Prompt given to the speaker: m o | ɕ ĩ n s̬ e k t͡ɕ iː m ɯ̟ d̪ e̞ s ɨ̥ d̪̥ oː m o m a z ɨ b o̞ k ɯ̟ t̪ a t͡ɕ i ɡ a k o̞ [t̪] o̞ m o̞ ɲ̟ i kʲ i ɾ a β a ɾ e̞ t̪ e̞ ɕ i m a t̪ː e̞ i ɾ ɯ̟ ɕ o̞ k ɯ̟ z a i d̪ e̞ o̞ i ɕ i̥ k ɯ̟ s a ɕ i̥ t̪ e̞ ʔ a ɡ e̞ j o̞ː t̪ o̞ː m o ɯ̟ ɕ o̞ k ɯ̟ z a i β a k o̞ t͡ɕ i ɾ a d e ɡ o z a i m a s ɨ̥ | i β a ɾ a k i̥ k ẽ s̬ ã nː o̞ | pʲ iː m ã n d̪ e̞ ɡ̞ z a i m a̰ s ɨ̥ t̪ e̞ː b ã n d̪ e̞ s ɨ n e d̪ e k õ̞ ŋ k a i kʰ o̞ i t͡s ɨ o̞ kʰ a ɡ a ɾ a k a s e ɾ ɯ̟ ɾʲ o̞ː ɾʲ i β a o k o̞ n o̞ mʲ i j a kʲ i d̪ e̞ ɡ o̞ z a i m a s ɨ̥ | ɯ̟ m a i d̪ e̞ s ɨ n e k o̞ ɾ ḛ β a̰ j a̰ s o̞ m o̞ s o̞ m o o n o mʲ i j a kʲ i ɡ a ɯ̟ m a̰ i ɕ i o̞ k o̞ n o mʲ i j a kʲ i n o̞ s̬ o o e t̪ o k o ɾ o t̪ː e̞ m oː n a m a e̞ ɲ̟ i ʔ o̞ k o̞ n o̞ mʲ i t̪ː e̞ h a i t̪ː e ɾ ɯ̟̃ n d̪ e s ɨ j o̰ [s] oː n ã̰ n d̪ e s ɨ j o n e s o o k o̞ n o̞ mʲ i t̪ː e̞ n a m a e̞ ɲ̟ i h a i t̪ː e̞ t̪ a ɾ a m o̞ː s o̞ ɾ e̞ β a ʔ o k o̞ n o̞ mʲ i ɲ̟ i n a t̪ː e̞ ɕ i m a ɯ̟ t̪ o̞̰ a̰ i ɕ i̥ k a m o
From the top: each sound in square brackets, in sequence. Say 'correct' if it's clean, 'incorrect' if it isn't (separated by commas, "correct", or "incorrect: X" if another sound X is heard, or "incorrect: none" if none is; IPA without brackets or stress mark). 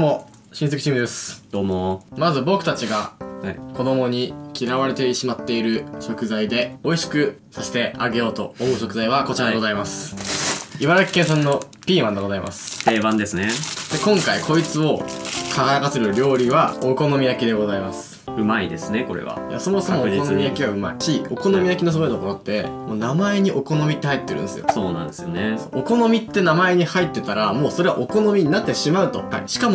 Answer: incorrect: d̪, correct